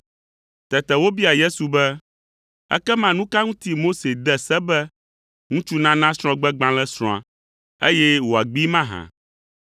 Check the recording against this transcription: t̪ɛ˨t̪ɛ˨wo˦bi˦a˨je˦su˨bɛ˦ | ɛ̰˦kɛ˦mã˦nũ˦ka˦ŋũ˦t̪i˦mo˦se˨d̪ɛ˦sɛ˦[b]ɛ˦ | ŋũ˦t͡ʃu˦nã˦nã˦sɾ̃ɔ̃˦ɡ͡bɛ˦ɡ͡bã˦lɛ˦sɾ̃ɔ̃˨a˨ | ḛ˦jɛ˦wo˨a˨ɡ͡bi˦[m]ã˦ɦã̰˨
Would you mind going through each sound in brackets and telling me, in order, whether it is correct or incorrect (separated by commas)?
correct, correct